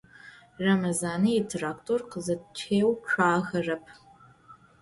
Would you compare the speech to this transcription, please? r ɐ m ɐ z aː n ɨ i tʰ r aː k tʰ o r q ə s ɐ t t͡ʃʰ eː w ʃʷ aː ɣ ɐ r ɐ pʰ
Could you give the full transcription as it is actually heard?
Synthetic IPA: r ɐ m ɐ z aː n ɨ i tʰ r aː k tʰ o r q ə z ɐ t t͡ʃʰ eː w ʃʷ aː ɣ ɐ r ɐ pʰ

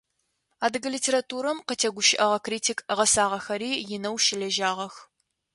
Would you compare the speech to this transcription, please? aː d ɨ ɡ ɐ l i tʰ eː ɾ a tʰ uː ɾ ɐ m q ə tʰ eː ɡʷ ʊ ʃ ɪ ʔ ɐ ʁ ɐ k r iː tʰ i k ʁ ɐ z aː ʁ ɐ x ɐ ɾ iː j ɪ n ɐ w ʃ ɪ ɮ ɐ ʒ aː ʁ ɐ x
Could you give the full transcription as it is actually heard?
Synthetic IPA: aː d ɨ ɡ ɐ l i tʰ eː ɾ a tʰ uː ɾ ɐ m q ə tʰ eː ɡʷ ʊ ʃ ɪ ʔ ɐ ʁ ɐ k r iː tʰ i k ʁ ɐ s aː ʁ ɐ x ɐ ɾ iː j ɪ n ɐ w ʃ ɪ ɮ ɐ ʒ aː ʁ ɐ x

